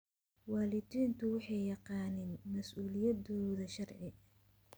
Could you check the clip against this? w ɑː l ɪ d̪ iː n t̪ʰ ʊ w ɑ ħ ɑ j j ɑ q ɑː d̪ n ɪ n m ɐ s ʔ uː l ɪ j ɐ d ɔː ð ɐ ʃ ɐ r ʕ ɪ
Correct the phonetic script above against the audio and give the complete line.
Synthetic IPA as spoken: w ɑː l ɪ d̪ iː n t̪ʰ ʊ w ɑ ħ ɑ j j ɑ q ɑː n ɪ n m ɐ s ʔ uː l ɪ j ɐ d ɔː ð ɐ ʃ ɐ r ʕ ɪ